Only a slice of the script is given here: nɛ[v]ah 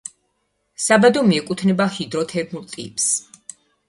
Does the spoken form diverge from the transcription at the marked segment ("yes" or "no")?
yes